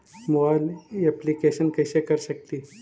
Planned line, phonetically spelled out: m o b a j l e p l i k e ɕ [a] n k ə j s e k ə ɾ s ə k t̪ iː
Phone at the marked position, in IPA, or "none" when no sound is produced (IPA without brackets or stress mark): ə